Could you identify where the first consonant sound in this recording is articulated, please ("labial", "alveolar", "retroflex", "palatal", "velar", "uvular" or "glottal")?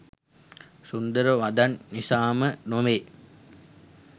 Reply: alveolar